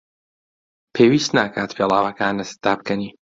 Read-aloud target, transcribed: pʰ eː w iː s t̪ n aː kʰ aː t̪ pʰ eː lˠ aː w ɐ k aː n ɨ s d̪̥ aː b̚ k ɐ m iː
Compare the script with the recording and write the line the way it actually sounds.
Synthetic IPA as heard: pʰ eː w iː s t̪ n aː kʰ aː t̪ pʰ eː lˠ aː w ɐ k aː n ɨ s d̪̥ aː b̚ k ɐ n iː